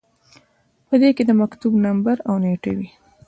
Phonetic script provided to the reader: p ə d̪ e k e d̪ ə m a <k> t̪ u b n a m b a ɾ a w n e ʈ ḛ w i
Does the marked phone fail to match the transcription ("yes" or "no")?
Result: no